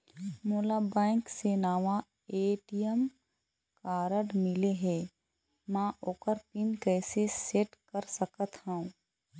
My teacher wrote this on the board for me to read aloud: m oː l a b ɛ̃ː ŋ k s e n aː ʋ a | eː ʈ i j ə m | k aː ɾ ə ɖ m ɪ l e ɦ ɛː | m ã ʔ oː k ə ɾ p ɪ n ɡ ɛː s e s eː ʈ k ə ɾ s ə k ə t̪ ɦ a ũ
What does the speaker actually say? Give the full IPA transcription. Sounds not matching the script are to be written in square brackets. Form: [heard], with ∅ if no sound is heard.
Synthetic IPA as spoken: m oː l a b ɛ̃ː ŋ k s e n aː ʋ a | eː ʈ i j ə m | k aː ɾ ə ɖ m ɪ l e ɦ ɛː | m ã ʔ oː k ə ɾ p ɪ n [k] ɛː s e s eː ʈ k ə ɾ s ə k ə t̪ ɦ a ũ

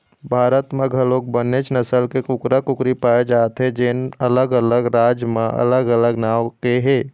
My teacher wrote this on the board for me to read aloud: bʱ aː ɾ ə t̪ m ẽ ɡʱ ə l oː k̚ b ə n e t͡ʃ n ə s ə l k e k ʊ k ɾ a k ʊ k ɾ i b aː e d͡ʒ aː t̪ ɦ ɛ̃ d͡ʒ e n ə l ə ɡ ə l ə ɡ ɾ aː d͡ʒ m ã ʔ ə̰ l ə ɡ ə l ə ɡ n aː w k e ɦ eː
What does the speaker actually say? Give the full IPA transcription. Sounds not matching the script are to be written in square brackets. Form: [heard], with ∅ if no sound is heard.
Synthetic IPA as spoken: bʱ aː ɾ ə t̪ m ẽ ɡʱ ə l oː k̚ b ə n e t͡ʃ n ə s ə l k e k ʊ k ɾ a k ʊ k ɾ i [p] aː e d͡ʒ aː t̪ ɦ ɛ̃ d͡ʒ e n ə l ə ɡ ə l ə ɡ ɾ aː d͡ʒ m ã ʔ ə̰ l ə ɡ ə l ə ɡ n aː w k e ɦ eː

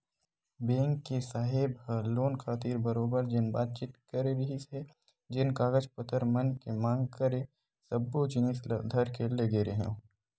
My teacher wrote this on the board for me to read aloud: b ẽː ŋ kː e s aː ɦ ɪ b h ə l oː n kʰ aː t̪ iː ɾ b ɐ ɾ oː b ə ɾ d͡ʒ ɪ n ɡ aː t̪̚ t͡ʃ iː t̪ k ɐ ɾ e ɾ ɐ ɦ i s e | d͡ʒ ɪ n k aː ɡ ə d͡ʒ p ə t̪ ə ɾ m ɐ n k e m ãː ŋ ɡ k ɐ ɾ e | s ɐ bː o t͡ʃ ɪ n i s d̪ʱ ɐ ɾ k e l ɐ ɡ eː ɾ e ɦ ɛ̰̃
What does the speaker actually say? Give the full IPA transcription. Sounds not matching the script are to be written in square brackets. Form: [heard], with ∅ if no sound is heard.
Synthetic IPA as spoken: b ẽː ŋ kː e s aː ɦ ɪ b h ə l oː n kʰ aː t̪ iː ɾ b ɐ ɾ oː b ə ɾ d͡ʒ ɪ n [b] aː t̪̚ t͡ʃ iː t̪ k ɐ ɾ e ɾ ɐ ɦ i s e | d͡ʒ ɪ n k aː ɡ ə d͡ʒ p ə t̪ ə ɾ m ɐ n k e m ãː ŋ ɡ k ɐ ɾ e | s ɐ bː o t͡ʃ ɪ n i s d̪ʱ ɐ ɾ k e l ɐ ɡ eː ɾ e ɦ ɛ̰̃

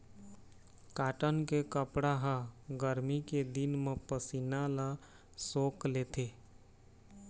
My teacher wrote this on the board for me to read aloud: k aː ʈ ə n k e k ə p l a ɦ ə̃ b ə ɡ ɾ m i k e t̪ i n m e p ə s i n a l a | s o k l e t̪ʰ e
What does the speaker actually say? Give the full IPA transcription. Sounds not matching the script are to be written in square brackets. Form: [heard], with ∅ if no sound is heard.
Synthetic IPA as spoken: k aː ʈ ə n k e k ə p [ɽ] a ɦ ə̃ [ɡ] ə [∅] ɾ m i k e [d̪] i n m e p ə s i n a l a | s o k l e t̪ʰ e

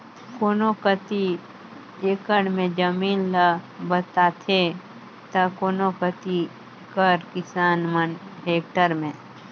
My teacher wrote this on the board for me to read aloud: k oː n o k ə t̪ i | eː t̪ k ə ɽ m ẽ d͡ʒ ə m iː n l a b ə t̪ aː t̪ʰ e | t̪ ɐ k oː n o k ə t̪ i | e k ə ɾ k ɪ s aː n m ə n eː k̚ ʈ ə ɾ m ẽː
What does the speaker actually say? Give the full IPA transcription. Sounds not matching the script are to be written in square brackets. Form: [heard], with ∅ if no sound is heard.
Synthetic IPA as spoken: k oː n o k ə t̪ i | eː [∅] k ə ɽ m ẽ d͡ʒ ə m iː n l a b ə t̪ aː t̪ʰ e | t̪ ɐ k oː n o k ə t̪ i | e k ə ɾ k ɪ s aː n m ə n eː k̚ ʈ ə ɾ m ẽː

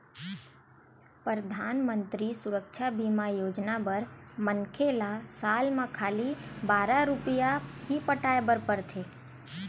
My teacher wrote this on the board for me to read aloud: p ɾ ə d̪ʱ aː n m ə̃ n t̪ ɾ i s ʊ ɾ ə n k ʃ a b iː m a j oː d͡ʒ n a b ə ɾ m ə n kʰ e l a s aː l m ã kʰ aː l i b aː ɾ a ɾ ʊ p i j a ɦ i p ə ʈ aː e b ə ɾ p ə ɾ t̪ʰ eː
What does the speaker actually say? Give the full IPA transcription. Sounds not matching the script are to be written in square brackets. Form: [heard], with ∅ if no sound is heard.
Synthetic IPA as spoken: p ɾ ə d̪ʱ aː n m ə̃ n t̪ ɾ i s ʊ ɾ ə [∅] k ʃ a b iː m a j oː d͡ʒ n a b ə ɾ m ə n kʰ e l a s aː l m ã kʰ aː l i b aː ɾ a ɾ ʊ p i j a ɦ i p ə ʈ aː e b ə ɾ p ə ɾ t̪ʰ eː

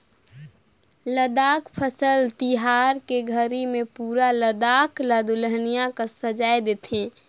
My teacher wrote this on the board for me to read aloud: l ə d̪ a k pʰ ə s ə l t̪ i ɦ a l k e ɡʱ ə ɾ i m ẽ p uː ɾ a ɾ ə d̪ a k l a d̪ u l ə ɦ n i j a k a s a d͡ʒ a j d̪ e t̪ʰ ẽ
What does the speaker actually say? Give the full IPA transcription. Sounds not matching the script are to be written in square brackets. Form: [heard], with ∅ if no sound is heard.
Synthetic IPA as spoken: l ə d̪ a k pʰ ə s ə l t̪ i ɦ a [ɾ] k e ɡʱ ə ɾ i m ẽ p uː ɾ a [l] ə d̪ a k l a d̪ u l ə ɦ n i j a k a s [ə] d͡ʒ a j d̪ e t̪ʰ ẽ

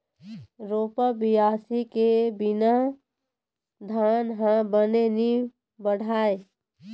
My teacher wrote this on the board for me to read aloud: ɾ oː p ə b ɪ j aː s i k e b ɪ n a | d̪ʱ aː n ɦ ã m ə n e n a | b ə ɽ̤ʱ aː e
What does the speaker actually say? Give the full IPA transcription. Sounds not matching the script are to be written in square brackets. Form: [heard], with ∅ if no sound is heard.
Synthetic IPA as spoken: ɾ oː p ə b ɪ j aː s i k e b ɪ n a | d̪ʱ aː n ɦ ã [b] ə n e n [i] | b ə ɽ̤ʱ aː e

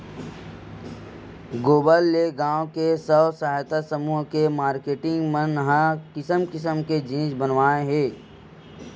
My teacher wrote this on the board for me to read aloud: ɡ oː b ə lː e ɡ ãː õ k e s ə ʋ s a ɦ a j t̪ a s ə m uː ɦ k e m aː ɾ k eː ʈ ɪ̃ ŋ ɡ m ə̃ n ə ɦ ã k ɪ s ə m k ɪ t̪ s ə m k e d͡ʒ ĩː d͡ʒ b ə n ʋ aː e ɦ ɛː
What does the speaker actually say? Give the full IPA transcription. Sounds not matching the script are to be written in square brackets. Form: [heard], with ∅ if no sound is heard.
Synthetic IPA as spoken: ɡ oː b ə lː e ɡ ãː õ k e s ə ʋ s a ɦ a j t̪ a s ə m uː ɦ k e m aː ɾ k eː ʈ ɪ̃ ŋ ɡ m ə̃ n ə ɦ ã k ɪ s ə m k ɪ [∅] s ə m k e d͡ʒ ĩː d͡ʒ b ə n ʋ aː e ɦ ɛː

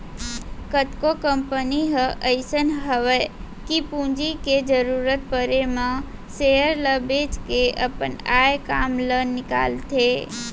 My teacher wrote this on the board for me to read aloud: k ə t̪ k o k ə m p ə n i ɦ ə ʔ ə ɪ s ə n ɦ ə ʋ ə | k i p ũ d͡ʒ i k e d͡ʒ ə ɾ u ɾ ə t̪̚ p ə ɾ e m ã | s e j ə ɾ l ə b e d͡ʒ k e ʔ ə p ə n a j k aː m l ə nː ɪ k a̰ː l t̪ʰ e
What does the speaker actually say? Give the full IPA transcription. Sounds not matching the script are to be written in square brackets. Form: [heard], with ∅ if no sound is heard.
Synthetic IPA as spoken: k ə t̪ k o k ə m p ə n i ɦ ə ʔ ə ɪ s ə n ɦ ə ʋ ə | k i p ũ d͡ʒ i k e d͡ʒ ə ɾ u ɾ ə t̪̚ p ə ɾ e m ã | s e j ə ɾ l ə b e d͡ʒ k e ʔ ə p ə n a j k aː m l ə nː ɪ k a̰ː l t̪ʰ e

